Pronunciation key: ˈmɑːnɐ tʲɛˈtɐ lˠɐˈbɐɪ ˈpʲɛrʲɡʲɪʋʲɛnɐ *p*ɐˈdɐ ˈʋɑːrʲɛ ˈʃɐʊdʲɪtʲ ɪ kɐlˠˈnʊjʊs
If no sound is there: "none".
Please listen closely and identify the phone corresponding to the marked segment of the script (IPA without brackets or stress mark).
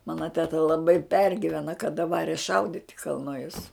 k